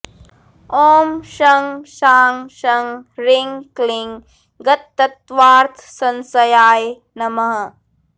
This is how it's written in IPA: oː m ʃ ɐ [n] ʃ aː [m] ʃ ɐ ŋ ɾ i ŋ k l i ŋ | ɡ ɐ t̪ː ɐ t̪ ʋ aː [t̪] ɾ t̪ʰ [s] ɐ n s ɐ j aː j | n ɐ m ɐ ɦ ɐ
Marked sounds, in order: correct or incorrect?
incorrect, incorrect, incorrect, correct

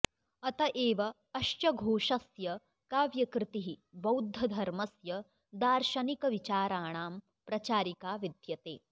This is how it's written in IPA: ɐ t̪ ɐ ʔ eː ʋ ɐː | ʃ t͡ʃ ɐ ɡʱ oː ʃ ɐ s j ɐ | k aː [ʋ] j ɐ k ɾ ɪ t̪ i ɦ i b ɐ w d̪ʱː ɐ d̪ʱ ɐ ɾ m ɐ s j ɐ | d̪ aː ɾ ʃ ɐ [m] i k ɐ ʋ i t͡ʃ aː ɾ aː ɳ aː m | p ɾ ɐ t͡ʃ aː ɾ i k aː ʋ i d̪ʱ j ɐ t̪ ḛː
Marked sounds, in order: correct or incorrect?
correct, incorrect

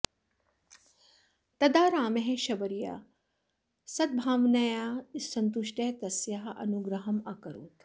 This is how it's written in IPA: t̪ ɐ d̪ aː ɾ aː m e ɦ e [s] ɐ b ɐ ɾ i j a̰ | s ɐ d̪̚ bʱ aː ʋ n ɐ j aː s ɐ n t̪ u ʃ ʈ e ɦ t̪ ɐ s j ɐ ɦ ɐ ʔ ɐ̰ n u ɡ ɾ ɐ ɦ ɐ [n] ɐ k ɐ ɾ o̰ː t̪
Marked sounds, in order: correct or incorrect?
incorrect, incorrect

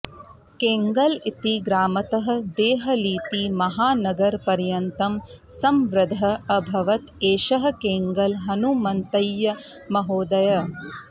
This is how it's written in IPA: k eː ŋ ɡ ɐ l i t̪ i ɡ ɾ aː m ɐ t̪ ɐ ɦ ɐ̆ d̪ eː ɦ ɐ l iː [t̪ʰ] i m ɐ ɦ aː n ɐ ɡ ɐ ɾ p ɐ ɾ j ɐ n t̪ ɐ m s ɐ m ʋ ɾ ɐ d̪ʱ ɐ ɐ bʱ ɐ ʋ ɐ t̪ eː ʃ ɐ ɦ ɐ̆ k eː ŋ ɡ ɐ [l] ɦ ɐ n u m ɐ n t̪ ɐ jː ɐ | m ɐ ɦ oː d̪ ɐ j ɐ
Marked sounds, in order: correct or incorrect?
incorrect, correct

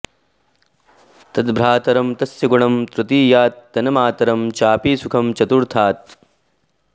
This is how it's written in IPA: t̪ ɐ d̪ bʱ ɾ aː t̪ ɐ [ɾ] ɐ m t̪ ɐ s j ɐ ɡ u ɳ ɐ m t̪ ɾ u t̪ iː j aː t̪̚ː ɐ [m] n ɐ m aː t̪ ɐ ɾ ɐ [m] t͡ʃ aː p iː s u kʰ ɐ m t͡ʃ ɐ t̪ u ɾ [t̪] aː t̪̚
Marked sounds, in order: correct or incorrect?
correct, incorrect, correct, incorrect

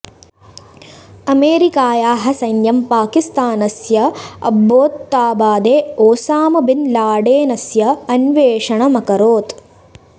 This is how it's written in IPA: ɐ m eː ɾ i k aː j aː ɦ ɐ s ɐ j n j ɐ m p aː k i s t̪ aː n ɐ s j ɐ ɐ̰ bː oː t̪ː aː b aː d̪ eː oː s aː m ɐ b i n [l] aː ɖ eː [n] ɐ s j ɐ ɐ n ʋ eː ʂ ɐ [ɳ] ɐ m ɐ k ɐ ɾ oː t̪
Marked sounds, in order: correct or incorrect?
correct, correct, correct

